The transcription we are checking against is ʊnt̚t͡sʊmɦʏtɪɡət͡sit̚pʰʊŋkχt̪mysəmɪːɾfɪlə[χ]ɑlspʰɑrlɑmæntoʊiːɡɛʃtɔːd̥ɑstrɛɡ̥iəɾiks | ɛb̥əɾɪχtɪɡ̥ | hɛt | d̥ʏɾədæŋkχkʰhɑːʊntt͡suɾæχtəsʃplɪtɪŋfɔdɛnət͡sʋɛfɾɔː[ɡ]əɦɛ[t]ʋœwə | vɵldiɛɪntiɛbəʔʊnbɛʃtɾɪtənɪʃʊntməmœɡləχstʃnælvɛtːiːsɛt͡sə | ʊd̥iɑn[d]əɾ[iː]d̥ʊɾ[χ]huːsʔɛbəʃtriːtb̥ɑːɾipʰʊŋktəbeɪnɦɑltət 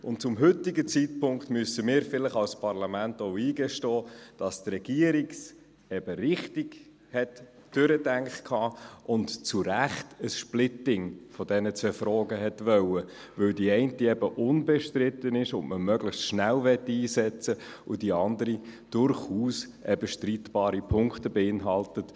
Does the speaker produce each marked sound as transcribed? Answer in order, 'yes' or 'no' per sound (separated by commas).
yes, yes, yes, yes, no, yes